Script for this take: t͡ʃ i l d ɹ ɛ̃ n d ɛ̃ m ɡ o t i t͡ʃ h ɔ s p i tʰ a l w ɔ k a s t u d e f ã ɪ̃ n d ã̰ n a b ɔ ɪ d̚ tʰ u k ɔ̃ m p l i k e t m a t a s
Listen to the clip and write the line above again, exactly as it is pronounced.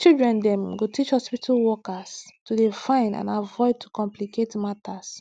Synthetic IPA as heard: t͡ʃ i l d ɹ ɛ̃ n d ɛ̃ m ɡ o t i t͡ʃ h ɔ s p i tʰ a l w ɔ k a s t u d e f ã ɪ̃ n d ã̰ n a v ɔ ɪ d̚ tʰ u k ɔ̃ m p l i k e t m a t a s

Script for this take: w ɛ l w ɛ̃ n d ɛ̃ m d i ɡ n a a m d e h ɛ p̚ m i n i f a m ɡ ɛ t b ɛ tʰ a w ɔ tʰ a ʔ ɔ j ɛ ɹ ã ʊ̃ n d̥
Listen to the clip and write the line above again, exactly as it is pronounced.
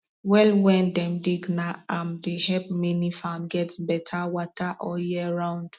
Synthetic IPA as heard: w ɛ l w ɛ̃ n d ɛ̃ m d i ɡ n a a m d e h ɛ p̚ m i n i f a m ɡ ɛ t b ɛ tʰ a w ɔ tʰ a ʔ ɔ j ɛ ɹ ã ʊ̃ n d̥

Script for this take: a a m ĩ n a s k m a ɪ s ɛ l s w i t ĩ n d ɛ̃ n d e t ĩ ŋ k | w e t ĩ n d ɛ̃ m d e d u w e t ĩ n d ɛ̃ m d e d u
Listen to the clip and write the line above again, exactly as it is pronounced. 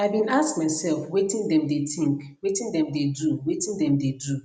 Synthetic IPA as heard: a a b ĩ n a s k m a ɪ s ɛ l f w e t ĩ n d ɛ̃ m d e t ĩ ŋ k | w e t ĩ n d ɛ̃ m d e d u w e t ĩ n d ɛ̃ m d e d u

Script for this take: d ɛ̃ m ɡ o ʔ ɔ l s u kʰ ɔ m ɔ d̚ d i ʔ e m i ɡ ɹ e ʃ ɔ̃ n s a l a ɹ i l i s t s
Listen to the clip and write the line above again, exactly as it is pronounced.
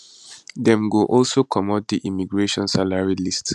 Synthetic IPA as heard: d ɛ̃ m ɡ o ʔ ɔ l s o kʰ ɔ m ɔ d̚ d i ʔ i m i ɡ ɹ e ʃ ɔ̃ n s a l a ɹ i l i s t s

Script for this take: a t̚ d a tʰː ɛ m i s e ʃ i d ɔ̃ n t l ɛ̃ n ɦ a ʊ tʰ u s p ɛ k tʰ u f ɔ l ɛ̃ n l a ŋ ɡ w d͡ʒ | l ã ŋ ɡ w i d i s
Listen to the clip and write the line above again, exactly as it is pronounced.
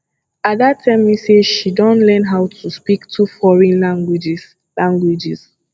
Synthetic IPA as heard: a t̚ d a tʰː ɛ m i s e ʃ i d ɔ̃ n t l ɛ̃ n ɦ a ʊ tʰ u s p i k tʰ u f ɔ ɹ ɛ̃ n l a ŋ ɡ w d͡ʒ | l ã ŋ ɡ w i d͡ʒ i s

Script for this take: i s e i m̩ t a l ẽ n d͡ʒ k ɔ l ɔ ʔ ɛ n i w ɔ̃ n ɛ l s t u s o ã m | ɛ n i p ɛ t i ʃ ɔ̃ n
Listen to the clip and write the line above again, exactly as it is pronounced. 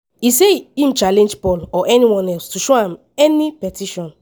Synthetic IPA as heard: i s e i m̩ t͡ʃ a l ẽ n d͡ʒ p ɔ l ɔ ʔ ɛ n i w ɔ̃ n ɛ l s t u ʃ o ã m | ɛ n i p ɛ t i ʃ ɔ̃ n

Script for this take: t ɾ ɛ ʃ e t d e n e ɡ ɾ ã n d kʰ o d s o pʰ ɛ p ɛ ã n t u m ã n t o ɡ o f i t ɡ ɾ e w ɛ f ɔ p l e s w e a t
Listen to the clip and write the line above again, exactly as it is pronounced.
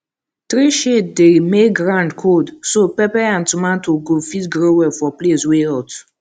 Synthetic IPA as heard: t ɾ i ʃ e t d e m e ɡ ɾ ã n d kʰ o d s o p ɛ p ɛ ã n t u m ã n t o ɡ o f i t ɡ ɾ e w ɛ f ɔ p l e s w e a t

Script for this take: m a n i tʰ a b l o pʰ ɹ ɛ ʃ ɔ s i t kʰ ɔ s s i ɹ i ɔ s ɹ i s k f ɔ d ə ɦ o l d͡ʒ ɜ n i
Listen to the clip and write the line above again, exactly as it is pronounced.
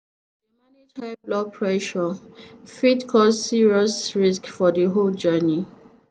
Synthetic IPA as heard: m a n i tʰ a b l ɔ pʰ ɹ ɛ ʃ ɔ f i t kʰ ɔ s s i ɹ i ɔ s ɹ i s k f ɔ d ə ɦ o l d͡ʒ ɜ n i

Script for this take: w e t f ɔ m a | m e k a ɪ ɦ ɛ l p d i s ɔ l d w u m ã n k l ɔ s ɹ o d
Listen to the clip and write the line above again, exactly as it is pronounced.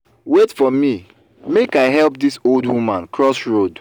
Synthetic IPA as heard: w e t f ɔ m i | m e k a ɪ ɦ ɛ l p d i s o l d w u m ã n k ɹ ɔ s ɹ o d

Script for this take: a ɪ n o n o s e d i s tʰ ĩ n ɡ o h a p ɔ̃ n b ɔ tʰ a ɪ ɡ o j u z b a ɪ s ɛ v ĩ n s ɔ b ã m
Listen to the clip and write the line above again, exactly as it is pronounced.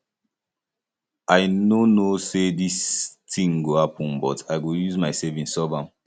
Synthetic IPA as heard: a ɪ n o n o s e d i s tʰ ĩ ŋ ɡ o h a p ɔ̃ n b ɔ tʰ a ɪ ɡ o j u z m a ɪ s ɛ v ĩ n s ɔ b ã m

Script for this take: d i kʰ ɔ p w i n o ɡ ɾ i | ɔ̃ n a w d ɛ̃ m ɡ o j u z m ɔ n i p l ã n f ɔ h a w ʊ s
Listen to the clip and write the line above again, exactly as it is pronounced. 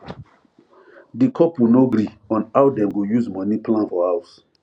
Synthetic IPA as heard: d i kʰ ɔ p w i n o ɡ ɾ i | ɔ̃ n a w d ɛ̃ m ɡ o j u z m ɔ n i p l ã n f ɔ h a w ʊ s

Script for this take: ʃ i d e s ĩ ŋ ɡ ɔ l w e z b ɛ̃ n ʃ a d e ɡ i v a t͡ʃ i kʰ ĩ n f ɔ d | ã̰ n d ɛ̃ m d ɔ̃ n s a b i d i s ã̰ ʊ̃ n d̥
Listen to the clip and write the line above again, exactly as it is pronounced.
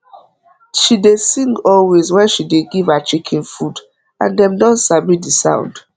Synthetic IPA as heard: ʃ i d e s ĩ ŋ ɡ ɔ l w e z w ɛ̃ n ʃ i d e ɡ i v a t͡ʃ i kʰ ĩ n f u d | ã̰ n d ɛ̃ m d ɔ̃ n s a b i d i s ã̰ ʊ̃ n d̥

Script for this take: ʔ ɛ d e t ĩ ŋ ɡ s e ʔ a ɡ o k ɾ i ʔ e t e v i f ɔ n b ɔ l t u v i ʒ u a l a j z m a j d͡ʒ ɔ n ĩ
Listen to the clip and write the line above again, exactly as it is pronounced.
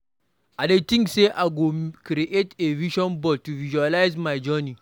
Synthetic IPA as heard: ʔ a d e t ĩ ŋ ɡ s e ʔ a ɡ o k ɾ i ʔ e t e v i ʃ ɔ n b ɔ l t u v i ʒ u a l a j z m a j d͡ʒ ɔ n i

